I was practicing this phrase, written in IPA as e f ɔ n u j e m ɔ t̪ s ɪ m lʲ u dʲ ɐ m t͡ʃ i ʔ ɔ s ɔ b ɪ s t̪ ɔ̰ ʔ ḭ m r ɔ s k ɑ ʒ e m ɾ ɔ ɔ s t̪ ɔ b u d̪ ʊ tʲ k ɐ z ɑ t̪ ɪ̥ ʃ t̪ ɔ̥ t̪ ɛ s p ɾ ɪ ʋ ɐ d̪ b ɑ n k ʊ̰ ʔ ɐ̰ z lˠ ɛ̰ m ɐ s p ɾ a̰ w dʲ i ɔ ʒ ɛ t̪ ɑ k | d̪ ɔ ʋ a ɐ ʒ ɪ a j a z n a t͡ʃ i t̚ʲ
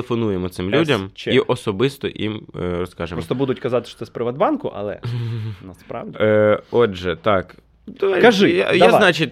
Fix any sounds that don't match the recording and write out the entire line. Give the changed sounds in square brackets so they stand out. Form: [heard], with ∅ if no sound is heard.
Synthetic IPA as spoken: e f ɔ n u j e m ɔ t̪ s ɪ m lʲ u dʲ ɐ m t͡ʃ i ʔ ɔ s ɔ b ɪ s t̪ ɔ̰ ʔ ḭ m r ɔ s k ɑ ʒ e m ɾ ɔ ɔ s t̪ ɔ b u d̪ ʊ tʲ k ɐ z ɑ t̪ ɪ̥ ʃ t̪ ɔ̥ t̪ ɛ s p ɾ ɪ ʋ ɐ d̪ b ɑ n k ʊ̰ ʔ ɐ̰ [∅] lˠ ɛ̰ [n] ɐ s p ɾ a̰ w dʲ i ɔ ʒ ɛ t̪ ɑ k | d̪ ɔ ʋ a ɐ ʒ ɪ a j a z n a t͡ʃ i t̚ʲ